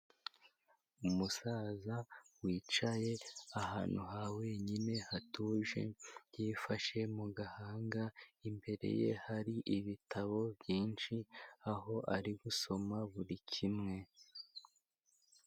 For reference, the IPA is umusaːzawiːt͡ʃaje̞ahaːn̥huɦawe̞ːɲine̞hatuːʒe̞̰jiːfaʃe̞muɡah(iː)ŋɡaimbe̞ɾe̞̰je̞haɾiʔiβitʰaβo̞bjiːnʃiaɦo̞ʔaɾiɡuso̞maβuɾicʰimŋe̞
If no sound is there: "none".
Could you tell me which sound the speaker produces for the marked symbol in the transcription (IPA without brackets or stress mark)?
aː